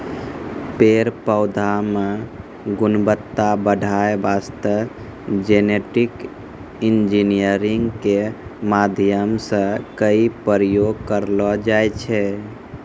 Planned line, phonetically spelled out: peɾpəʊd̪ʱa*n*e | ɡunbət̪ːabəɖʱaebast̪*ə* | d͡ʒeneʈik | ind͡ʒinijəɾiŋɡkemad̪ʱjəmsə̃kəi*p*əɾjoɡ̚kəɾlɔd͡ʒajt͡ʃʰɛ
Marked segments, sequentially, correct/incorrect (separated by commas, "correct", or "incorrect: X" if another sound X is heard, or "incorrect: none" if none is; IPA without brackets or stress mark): incorrect: m, correct, correct